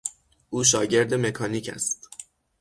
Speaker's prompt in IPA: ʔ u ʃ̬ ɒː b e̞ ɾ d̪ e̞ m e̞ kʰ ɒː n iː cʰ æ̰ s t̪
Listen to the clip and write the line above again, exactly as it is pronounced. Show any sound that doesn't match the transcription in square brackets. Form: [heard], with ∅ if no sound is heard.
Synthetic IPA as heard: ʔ [uː] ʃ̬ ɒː [ɟ] e̞ ɾ d̪ e̞ m e̞ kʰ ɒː n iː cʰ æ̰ s t̪